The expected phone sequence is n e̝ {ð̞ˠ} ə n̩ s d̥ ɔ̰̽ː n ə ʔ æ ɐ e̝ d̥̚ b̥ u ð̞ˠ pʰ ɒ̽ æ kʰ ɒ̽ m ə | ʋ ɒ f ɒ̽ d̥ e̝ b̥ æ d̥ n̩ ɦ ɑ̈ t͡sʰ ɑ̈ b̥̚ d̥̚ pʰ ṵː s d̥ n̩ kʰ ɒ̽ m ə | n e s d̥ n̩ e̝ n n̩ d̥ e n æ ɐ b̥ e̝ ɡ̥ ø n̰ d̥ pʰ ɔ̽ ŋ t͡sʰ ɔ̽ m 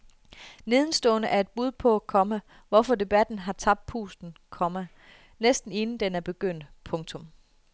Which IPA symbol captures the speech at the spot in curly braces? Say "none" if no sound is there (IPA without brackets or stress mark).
ð̞ˠ